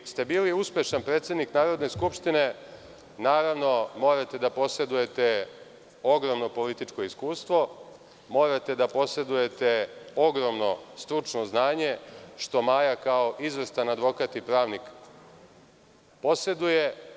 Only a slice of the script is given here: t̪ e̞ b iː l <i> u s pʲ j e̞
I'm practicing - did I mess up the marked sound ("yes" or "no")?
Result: no